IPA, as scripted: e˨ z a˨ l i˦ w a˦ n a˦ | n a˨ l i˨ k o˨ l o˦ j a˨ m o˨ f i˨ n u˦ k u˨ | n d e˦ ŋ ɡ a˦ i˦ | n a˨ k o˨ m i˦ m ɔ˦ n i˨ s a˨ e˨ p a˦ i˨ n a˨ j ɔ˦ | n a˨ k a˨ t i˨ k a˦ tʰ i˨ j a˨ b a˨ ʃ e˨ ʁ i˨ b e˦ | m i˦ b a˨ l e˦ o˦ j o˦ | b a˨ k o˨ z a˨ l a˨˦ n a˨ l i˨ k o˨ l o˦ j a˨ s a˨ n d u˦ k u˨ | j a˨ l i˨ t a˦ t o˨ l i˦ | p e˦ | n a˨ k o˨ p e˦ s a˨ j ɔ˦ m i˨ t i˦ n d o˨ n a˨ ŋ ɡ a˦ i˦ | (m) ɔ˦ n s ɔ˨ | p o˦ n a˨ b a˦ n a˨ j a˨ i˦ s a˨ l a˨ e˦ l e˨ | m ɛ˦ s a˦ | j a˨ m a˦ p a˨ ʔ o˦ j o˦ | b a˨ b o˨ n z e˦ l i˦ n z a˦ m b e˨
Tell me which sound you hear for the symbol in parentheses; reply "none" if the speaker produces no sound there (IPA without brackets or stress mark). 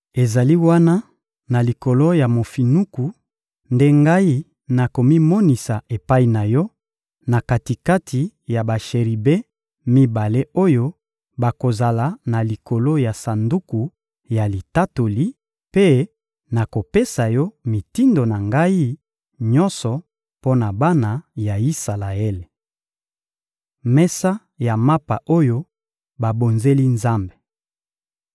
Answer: ɲ